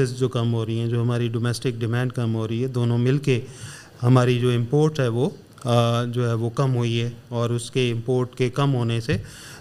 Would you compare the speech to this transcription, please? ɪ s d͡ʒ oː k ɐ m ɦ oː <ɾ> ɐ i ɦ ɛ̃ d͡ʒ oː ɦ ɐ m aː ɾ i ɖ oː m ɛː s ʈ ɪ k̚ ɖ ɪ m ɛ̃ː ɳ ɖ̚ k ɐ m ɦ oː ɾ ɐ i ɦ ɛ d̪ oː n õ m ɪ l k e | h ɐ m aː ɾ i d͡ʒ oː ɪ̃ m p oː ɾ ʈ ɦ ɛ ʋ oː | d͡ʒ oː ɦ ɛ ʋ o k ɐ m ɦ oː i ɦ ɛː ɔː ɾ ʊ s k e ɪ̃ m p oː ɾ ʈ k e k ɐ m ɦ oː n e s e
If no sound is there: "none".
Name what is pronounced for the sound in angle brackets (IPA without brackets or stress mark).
ɾ